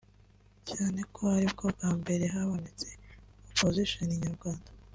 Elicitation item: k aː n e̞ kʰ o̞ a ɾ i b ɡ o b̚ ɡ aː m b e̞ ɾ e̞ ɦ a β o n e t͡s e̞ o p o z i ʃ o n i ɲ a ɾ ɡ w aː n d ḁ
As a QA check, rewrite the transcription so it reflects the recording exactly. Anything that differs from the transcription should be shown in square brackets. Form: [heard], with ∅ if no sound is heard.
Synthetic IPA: [c] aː n e̞ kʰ o̞ a ɾ i b ɡ o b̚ ɡ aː m b e̞ ɾ e̞ ɦ a β o n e t͡s e̞ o p o z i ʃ o n i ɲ a ɾ ɡ w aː n d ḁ